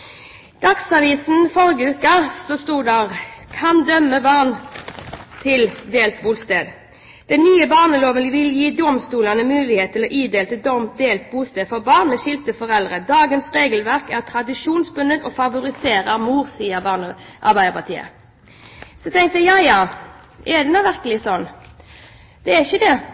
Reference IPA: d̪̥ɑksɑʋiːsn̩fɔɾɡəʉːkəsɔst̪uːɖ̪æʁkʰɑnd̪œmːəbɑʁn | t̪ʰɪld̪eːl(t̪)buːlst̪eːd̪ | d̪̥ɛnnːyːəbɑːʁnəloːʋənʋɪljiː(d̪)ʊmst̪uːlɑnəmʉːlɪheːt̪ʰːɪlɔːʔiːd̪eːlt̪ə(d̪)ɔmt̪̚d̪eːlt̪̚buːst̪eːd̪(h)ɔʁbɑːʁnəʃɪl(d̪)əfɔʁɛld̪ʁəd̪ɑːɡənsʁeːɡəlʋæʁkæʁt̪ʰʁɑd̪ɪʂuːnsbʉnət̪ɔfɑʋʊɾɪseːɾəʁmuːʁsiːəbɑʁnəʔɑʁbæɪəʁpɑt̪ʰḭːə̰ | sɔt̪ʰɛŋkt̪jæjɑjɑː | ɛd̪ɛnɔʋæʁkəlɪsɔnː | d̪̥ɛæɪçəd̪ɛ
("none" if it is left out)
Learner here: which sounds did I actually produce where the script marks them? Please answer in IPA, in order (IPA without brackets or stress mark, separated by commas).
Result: t̪, d̪, d̪, f, t̪